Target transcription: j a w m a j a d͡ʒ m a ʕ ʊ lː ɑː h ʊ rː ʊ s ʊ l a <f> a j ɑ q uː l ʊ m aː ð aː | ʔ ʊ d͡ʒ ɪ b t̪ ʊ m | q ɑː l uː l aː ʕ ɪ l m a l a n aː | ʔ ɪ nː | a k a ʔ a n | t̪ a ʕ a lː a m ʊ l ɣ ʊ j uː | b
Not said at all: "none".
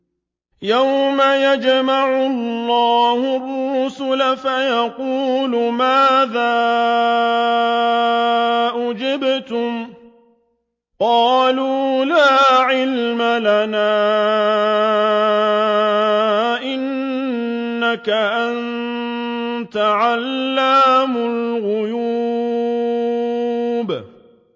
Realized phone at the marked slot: f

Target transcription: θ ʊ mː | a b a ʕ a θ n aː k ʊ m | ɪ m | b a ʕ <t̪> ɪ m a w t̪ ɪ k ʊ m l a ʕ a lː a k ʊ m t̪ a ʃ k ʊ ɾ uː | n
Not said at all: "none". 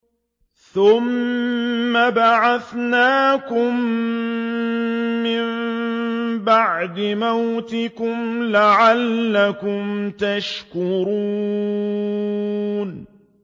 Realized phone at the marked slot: d̪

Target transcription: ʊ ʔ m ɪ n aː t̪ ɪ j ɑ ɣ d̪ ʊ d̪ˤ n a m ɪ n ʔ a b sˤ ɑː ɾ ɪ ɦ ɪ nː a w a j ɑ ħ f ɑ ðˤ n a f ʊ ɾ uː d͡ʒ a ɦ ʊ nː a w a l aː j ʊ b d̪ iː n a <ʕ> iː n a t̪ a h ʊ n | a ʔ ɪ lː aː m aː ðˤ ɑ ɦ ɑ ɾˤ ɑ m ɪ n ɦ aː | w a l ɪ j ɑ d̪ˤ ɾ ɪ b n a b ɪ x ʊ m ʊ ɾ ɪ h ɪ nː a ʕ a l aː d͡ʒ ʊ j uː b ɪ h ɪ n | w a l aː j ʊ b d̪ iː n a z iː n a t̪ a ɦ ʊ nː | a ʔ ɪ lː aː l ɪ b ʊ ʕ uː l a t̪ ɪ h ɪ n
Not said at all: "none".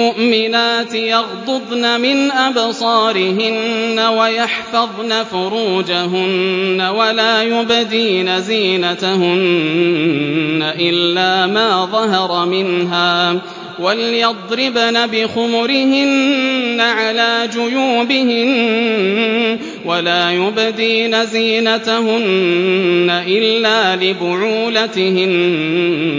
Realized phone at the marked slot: z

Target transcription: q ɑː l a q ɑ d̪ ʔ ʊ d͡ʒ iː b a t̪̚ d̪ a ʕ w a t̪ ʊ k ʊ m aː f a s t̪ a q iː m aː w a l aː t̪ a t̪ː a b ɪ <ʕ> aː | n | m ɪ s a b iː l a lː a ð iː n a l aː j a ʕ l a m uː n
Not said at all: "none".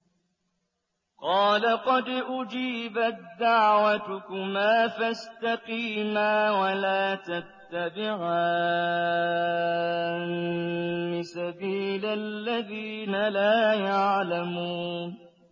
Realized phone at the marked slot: ʕ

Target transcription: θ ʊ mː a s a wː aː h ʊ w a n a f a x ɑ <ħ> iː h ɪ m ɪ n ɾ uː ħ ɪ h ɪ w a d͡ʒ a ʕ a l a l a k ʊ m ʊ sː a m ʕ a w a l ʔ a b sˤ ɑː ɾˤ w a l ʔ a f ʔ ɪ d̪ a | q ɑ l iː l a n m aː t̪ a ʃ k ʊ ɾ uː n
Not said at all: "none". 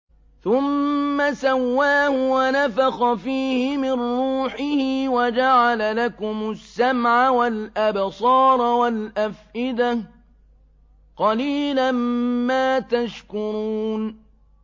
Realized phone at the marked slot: f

